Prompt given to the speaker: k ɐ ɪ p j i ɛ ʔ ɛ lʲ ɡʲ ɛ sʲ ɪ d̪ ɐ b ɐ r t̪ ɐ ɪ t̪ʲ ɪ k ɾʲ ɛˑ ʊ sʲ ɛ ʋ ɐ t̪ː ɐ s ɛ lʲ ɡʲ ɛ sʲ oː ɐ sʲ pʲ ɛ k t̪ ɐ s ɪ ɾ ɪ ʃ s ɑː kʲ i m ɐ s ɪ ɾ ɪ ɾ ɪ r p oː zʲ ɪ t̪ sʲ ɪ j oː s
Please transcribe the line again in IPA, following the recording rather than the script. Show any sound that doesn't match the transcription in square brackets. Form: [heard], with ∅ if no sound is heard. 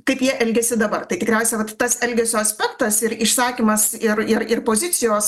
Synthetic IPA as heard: k ɐ ɪ p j i ɛ ʔ ɛ lʲ ɡʲ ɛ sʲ ɪ d̪ ɐ b ɐ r t̪ ɐ ɪ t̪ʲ ɪ k ɾʲ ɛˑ ʊ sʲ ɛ ʋ ɐ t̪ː ɐ s ɛ lʲ ɡʲ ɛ sʲ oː ɐ sʲ pʲ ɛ k t̪ ɐ s ɪ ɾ ɪ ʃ s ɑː kʲ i m ɐ s ɪ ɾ ɪ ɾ ɪ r p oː zʲ ɪ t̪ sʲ ɪ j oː s